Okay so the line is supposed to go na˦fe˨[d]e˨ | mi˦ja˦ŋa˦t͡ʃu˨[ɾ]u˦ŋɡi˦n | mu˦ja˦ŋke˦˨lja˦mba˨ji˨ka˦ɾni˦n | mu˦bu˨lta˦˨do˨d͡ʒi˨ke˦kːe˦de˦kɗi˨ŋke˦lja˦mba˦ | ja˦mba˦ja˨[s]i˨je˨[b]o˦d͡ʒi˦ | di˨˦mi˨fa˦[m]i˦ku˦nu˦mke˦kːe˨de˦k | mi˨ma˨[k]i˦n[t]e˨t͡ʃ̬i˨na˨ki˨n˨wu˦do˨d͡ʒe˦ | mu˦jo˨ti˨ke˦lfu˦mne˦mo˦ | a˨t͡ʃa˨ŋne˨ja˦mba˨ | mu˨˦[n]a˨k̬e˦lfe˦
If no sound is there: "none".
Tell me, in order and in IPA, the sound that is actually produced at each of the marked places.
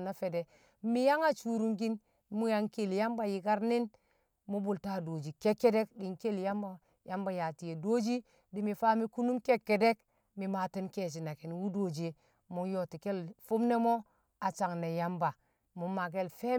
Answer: d, ɾ, t, d, m, t, k, m

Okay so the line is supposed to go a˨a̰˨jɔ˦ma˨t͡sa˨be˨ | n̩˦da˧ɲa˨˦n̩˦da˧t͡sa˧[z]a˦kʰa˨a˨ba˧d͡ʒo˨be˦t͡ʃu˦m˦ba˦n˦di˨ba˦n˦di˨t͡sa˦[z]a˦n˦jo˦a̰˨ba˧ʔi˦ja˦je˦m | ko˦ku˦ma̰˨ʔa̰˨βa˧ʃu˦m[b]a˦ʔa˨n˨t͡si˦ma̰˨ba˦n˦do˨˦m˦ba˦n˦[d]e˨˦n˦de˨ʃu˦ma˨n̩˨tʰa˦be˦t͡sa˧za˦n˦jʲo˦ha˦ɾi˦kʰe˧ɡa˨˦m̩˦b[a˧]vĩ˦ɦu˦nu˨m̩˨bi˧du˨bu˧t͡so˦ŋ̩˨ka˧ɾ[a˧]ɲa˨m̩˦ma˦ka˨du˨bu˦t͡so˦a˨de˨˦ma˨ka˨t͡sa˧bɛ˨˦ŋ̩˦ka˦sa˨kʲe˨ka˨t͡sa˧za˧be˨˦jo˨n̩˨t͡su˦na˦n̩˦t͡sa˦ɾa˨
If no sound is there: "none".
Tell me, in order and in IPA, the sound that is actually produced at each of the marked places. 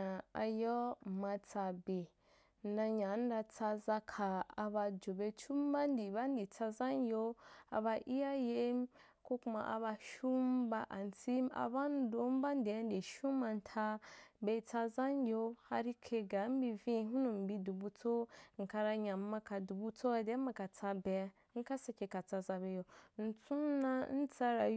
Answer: z, z, b, d, i˧, a˧

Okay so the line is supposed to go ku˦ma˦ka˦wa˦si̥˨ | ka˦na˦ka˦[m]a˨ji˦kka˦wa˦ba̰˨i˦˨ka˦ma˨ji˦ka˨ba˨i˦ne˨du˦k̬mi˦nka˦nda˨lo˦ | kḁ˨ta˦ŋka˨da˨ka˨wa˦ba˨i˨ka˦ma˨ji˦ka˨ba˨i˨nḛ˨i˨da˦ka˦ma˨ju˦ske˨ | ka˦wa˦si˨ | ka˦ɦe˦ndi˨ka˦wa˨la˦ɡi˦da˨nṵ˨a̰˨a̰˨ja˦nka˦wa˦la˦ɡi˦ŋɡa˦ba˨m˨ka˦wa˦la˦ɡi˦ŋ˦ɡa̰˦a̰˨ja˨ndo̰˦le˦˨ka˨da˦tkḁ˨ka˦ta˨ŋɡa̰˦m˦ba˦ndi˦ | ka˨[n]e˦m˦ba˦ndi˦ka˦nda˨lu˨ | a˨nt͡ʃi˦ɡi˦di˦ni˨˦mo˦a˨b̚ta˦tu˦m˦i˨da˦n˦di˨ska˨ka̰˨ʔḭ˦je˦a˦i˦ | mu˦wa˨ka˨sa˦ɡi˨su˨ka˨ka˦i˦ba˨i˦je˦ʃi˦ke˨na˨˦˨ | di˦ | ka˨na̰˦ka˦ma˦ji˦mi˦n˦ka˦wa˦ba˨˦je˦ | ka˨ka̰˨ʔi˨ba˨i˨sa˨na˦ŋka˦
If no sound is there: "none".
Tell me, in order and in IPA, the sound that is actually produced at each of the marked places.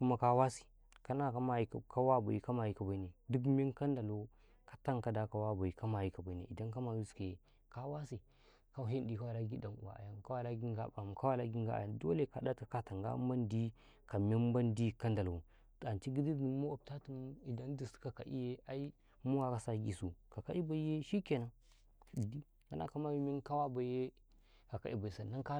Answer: m, m

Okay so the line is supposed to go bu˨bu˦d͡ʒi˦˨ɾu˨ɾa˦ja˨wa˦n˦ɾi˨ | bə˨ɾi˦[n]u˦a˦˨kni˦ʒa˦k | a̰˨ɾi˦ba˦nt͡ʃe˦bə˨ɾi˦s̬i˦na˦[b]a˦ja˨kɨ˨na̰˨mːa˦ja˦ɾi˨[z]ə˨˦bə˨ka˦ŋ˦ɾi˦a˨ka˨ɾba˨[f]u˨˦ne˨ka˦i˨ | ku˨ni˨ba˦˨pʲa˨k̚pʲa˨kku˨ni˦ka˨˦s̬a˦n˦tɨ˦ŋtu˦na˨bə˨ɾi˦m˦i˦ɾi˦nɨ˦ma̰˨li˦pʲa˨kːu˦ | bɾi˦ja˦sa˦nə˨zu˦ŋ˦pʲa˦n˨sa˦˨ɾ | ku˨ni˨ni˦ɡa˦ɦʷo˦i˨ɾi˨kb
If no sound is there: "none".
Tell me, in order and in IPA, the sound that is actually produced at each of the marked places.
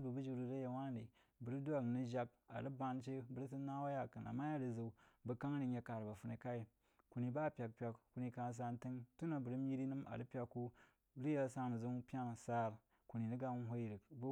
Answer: d, w, z, f

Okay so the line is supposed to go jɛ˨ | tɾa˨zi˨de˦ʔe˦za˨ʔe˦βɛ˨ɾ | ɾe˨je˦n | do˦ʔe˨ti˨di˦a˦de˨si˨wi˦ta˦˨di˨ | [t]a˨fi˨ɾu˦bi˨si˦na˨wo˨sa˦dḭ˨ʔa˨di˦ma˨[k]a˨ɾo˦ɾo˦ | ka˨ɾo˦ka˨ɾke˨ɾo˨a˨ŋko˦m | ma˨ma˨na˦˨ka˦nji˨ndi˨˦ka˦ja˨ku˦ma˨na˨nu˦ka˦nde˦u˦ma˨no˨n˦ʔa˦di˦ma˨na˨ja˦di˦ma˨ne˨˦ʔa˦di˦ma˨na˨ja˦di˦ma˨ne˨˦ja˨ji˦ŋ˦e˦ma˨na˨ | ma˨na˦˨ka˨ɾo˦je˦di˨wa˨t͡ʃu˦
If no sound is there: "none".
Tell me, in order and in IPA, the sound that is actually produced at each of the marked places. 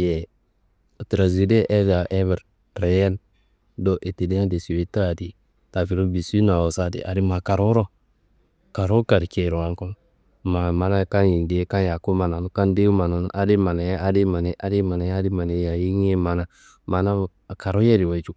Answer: t, k

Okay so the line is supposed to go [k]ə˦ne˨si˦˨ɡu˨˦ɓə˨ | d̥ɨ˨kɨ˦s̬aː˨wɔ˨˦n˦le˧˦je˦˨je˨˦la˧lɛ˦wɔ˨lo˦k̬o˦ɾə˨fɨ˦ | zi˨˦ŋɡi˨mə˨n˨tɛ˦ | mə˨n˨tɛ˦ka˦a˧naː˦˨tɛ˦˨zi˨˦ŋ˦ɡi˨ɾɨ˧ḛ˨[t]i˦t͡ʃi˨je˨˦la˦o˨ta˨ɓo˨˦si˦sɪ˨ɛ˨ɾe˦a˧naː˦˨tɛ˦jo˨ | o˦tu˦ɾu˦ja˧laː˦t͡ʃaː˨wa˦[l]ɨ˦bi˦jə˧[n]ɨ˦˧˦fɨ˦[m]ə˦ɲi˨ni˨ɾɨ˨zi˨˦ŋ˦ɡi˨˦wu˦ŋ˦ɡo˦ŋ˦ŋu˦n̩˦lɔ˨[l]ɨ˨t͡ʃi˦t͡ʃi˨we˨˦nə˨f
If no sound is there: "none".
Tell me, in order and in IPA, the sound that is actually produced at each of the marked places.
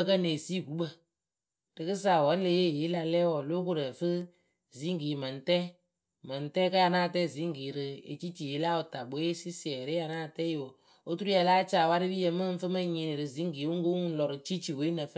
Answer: k, t͡ʃ, ɾ, m, m, ɾ

